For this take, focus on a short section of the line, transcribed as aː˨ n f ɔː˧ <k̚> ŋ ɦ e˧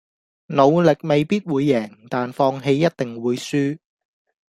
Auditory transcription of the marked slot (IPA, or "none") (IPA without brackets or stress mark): none